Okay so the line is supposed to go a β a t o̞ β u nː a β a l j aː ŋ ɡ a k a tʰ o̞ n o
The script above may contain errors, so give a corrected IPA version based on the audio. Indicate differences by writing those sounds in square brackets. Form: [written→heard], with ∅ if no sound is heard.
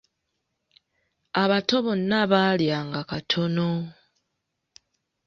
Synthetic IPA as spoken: a β a t o̞ β [u→o] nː a β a l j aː ŋ ɡ a k a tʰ o̞ n o